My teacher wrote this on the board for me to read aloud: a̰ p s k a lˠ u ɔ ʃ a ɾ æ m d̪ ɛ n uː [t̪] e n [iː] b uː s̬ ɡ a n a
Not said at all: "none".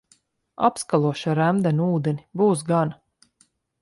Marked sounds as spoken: d̪, i

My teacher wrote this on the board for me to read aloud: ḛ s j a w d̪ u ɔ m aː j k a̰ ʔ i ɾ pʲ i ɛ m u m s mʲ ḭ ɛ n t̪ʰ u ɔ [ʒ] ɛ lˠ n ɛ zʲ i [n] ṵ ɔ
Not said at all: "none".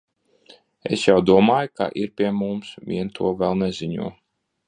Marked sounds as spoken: v, ɲ

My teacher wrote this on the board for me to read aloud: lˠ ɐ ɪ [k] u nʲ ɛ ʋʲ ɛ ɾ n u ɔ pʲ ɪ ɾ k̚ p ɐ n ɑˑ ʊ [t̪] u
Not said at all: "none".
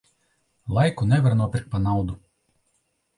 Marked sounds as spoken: k, d̪

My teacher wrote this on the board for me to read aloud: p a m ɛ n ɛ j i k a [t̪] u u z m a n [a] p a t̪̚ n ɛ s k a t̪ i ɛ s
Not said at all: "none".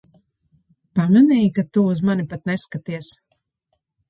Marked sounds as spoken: t̪, i

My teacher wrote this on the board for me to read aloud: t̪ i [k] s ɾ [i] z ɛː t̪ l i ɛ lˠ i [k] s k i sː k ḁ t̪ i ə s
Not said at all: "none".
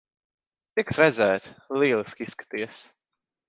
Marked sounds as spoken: k, ɛ, none

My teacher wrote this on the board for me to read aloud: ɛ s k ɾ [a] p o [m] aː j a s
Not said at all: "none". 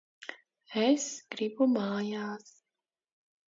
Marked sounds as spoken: i, m

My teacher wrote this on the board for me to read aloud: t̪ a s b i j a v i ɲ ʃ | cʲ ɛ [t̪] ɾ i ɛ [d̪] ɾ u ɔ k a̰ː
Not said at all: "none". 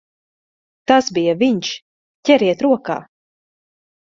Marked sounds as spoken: none, t̪

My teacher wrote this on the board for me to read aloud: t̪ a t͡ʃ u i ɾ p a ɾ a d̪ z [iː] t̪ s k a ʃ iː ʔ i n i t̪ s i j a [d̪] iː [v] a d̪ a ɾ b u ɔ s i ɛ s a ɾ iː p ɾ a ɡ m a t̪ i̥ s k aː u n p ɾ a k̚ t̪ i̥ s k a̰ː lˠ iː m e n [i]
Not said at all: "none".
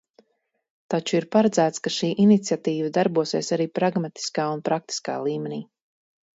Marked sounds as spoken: æː, t̪, v, iː

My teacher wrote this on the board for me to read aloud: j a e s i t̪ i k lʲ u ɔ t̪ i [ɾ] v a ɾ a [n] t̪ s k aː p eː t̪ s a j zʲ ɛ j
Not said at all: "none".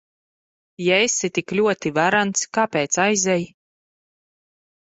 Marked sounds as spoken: none, n

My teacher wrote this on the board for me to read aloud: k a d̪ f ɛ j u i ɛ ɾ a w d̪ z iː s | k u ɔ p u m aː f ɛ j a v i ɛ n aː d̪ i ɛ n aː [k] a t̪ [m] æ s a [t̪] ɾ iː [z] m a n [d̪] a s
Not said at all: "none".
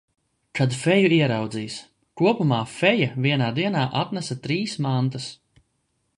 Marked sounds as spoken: ʔ, n, t̪, s, t̪

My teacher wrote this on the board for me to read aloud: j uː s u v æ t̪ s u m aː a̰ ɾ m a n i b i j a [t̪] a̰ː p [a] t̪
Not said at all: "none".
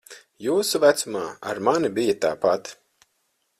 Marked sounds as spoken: t̪, a

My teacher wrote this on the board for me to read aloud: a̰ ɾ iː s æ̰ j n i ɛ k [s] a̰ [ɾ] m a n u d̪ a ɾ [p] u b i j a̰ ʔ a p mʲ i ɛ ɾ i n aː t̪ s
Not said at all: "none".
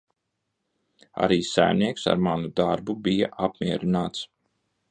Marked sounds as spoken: s, ɾ, b

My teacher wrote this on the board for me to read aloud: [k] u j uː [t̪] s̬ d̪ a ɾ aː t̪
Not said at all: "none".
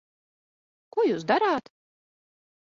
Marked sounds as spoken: k, none

